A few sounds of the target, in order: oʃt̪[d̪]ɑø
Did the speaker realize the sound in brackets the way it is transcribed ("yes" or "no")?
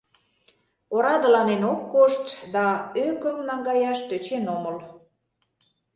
yes